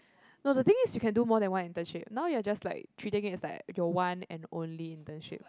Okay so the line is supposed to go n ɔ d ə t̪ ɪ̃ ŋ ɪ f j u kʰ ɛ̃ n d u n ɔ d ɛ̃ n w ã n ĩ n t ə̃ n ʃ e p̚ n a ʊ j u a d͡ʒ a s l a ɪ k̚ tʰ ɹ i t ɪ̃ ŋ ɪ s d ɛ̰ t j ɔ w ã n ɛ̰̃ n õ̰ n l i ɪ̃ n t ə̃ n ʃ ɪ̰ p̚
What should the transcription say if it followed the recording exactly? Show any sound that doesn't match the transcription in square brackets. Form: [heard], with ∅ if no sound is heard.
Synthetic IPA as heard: n [o] d ə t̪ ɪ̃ ŋ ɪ [s] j u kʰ ɛ̃ n d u [m] ɔ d ɛ̃ n w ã n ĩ n t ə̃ n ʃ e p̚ n a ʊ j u a d͡ʒ a s l a ɪ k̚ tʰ ɹ i t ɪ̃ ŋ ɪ s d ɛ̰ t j ɔ w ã n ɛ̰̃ n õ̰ n l i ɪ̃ n t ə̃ n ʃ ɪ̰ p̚